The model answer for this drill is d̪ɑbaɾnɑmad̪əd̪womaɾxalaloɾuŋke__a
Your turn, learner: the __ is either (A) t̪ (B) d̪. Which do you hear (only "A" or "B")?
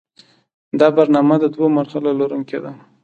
B